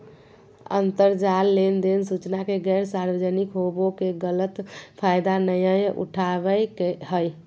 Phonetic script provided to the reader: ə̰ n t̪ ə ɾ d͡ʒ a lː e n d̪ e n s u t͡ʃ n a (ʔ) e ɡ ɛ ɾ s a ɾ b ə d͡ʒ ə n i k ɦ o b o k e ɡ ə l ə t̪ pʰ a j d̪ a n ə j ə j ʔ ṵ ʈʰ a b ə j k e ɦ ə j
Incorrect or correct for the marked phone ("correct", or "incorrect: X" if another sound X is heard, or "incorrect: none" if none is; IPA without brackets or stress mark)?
incorrect: k